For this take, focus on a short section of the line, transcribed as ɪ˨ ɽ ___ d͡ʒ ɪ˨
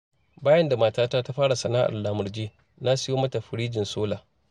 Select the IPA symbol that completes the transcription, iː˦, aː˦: iː˦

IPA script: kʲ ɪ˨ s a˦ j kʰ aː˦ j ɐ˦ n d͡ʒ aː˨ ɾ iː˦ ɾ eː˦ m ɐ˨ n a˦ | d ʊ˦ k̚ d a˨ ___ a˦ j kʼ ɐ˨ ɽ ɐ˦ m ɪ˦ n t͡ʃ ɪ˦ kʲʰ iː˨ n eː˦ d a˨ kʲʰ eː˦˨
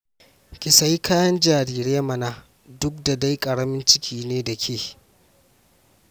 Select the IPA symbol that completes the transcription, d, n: d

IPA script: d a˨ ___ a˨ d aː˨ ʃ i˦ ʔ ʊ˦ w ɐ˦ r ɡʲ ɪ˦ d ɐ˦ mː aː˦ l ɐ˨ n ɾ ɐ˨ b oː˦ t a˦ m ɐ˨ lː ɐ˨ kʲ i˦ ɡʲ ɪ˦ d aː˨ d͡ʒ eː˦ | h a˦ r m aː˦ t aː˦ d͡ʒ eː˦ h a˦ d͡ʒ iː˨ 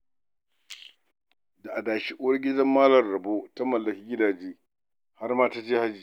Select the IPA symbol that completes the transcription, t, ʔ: ʔ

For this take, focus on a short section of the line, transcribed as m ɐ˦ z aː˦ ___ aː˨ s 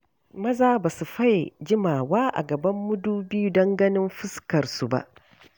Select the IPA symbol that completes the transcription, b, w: b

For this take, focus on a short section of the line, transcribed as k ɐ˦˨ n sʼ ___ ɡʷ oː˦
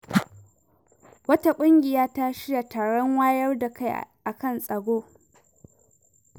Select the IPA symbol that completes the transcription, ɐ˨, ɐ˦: ɐ˨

